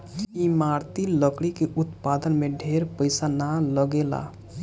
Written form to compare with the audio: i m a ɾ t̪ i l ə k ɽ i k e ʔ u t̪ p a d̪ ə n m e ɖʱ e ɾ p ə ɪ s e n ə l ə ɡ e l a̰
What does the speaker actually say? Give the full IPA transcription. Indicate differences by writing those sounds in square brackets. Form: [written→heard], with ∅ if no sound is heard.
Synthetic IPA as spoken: i m a ɾ t̪ i l ə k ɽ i k e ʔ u t̪ p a d̪ ə n m e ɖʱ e ɾ p ə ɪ s [e→a] n [ə→a] l ə ɡ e l a̰